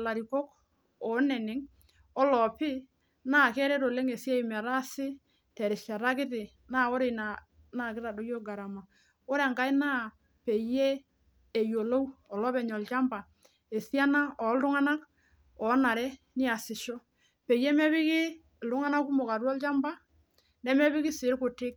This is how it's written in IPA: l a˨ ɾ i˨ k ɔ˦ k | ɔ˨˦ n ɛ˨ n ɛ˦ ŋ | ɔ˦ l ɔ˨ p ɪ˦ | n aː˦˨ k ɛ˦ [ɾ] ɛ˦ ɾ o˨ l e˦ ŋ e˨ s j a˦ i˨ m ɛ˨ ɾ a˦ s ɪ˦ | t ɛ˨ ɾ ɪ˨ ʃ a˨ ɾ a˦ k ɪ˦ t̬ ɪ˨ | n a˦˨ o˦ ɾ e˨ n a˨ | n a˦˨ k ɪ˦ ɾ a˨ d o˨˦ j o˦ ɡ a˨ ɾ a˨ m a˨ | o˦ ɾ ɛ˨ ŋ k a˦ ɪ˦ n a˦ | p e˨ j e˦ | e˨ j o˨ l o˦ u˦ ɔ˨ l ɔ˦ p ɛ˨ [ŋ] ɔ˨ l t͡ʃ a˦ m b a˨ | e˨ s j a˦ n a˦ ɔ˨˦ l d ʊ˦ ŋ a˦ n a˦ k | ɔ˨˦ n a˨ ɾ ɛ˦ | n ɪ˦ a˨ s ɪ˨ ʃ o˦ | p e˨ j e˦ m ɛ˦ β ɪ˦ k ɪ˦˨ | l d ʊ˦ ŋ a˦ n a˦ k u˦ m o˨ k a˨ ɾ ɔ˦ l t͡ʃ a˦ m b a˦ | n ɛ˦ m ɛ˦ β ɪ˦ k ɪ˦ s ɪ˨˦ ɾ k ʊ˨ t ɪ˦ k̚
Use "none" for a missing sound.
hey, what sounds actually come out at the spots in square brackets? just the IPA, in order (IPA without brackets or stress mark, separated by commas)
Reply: ɾ, ɲ